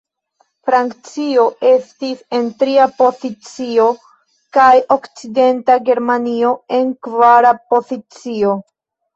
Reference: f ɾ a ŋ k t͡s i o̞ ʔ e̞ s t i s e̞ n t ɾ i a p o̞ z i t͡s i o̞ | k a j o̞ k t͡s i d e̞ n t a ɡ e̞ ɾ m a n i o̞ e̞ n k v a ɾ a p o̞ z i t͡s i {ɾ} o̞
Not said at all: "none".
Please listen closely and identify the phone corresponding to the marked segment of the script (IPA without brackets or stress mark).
none